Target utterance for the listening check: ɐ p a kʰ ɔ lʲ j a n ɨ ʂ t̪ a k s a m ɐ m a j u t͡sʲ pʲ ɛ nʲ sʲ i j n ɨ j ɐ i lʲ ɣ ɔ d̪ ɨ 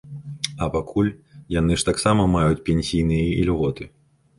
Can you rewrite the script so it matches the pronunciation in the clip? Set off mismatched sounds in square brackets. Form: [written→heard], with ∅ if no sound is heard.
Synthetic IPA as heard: ɐ p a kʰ [ɔ→u] lʲ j a n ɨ ʂ t̪ a k s a m ɐ m a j u t͡sʲ pʲ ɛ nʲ sʲ i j n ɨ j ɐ i lʲ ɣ ɔ [d̪→t̪] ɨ